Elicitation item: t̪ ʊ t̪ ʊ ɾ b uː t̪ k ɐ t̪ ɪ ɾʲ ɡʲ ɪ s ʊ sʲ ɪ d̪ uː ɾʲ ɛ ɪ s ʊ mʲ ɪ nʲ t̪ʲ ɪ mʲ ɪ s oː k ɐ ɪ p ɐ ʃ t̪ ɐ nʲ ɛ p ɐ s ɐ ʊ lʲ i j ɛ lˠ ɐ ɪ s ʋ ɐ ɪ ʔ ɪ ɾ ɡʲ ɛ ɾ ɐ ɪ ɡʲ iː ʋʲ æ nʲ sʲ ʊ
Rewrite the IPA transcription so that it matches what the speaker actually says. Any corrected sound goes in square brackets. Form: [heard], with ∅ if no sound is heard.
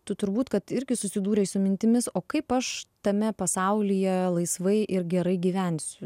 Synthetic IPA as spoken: t̪ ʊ t̪ ʊ ɾ b uː t̪ k ɐ t̪ ɪ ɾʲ ɡʲ ɪ s ʊ sʲ ɪ d̪ uː ɾʲ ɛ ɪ s ʊ mʲ ɪ nʲ t̪ʲ ɪ mʲ ɪ s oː k ɐ ɪ p ɐ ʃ t̪ ɐ [mʲ] ɛ p ɐ s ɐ ʊ lʲ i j ɛ lˠ ɐ ɪ s ʋ ɐ ɪ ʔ ɪ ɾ ɡʲ ɛ ɾ ɐ ɪ ɡʲ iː ʋʲ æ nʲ sʲ ʊ

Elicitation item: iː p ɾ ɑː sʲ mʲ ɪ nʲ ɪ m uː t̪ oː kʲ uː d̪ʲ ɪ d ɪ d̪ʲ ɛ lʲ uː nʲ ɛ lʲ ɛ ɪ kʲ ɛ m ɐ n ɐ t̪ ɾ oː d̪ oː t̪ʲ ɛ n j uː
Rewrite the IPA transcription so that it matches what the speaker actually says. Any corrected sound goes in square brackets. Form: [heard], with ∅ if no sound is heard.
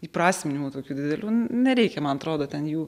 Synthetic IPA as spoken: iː p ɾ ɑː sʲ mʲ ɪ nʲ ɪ m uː t̪ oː kʲ uː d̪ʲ ɪ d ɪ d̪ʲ ɛ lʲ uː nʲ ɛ [ɾʲ] ɛ ɪ kʲ ɛ m ɐ n ɐ t̪ ɾ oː d̪ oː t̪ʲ ɛ n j uː

